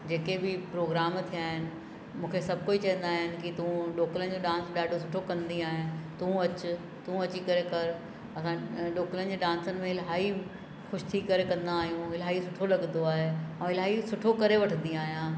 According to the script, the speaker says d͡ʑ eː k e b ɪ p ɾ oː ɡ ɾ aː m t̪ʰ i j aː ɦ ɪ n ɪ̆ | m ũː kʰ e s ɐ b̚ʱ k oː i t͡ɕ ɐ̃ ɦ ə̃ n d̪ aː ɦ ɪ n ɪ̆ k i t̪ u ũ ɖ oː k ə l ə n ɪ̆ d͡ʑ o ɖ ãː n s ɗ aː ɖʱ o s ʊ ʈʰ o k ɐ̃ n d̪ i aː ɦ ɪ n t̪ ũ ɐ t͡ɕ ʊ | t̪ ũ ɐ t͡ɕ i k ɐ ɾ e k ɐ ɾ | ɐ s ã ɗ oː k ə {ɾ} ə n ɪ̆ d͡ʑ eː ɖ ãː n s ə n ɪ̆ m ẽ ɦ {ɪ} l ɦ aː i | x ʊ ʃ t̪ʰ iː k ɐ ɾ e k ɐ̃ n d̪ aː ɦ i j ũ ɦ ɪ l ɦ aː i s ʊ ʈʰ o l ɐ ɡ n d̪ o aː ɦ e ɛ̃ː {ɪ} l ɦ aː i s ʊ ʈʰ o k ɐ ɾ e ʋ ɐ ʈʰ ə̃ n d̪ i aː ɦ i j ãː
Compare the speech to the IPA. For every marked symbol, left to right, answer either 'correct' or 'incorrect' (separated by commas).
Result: incorrect, correct, correct